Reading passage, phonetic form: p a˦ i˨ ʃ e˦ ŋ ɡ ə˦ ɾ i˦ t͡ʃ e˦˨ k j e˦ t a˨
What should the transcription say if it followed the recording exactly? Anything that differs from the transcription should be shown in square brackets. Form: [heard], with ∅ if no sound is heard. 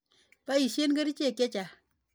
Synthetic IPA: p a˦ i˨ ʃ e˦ [n] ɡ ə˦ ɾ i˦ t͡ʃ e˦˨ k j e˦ [t͡ʃ] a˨